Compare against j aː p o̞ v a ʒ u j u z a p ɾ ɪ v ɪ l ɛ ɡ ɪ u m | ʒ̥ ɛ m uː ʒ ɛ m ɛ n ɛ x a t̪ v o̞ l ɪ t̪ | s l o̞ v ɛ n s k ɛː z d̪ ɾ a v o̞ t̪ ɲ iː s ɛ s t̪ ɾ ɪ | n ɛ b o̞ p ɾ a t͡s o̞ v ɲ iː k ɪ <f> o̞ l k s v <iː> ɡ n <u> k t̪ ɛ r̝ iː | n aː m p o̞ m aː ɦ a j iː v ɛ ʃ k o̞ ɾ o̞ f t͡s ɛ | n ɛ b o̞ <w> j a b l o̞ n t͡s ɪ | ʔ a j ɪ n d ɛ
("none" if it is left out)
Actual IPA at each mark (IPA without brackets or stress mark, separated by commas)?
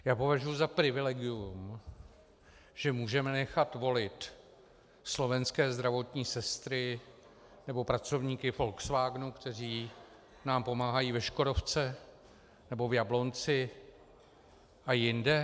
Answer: f, aː, u, v